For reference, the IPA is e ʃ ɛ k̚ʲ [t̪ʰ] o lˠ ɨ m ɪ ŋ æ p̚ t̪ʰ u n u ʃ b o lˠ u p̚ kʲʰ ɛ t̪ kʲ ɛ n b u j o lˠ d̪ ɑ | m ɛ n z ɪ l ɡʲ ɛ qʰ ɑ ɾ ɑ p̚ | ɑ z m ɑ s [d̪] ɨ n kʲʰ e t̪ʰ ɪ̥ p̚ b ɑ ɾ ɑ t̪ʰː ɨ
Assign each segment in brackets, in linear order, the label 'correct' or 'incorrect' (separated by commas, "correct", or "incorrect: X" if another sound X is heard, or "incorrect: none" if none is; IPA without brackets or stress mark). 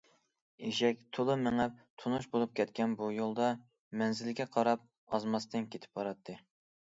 correct, incorrect: t̪